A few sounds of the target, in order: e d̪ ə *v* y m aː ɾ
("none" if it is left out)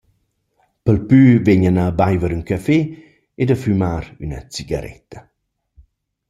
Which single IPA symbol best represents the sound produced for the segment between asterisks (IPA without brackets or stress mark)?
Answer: f